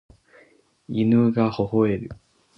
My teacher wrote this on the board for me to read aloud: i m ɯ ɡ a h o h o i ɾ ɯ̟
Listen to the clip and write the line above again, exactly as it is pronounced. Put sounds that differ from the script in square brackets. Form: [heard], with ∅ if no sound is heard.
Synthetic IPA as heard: i [n] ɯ ɡ a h o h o [e] ɾ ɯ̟

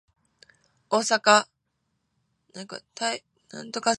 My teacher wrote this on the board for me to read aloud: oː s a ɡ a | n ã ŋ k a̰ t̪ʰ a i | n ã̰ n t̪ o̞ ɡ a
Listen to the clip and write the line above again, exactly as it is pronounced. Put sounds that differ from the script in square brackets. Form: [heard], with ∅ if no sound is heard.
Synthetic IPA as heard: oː s a [k] a | n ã ŋ k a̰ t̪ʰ a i | n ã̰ n t̪ o̞ [k] a

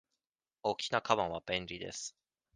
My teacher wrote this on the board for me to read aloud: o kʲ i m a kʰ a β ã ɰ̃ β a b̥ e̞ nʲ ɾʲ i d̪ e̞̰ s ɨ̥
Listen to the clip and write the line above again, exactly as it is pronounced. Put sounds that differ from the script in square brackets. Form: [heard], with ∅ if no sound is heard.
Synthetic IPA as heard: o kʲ i [n] a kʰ a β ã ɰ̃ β a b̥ [ẽ̞] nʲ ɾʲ i d̪ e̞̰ s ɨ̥

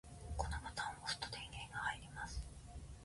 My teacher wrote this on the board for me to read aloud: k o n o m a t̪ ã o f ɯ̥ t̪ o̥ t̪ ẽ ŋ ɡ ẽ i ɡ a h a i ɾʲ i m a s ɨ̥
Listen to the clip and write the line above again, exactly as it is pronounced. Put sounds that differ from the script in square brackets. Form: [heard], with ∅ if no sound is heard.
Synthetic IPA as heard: k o n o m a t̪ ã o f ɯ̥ t̪ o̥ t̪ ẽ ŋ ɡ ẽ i ɡ a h a i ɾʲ i m a s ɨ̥

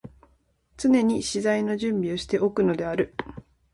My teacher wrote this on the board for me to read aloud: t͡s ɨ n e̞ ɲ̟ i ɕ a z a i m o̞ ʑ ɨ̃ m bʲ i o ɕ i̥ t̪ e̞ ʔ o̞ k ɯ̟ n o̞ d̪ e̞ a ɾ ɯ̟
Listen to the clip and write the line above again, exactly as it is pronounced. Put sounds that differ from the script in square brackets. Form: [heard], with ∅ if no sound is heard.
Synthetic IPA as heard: t͡s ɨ n e̞ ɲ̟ i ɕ [i] z a i [n] o̞ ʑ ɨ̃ m bʲ i o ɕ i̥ t̪ e̞ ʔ o̞ k ɯ̟ n o̞ d̪ e̞ a ɾ ɯ̟

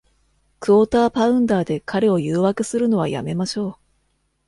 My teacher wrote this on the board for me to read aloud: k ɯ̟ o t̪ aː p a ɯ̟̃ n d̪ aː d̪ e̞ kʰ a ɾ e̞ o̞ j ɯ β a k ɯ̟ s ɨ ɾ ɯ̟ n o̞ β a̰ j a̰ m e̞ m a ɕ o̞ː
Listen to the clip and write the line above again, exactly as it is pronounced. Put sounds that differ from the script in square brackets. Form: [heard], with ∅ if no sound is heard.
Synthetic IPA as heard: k ɯ̟ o t̪ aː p a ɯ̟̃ n d̪ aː d̪ e̞ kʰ a ɾ e̞ o̞ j [ɯː] β a k ɯ̟ s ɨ ɾ ɯ̟ n o̞ β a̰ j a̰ m e̞ m a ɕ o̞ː

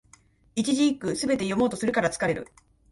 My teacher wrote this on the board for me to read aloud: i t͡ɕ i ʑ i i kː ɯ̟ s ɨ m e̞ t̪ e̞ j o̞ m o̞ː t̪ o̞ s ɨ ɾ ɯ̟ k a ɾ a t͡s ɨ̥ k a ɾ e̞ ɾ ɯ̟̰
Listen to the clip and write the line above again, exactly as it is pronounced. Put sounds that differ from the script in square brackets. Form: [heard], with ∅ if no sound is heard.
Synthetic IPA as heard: i t͡ɕ i ʑ i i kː ɯ̟ s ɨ [b] e̞ t̪ e̞ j o̞ m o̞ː t̪ o̞ s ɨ ɾ ɯ̟ k a ɾ a t͡s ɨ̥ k a ɾ e̞ ɾ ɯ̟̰

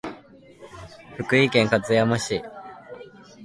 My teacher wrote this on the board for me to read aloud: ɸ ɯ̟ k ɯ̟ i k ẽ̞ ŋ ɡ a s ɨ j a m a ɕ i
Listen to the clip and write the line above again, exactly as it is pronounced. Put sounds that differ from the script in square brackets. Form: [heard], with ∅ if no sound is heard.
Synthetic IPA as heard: ɸ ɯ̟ k ɯ̟ i k ẽ̞ ŋ [k] a [t͡s] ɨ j a m a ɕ i

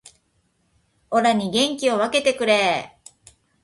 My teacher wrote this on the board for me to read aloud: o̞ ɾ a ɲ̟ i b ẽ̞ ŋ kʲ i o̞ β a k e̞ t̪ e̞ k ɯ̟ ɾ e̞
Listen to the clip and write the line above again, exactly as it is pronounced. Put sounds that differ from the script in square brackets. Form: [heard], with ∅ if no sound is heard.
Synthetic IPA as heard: o̞ ɾ a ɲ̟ i [ɡ] ẽ̞ ŋ kʲ i o̞ β a k e̞ t̪ e̞ k ɯ̟ ɾ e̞

